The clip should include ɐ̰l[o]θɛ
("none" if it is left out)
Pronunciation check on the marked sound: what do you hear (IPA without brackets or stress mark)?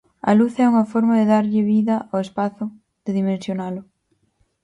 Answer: u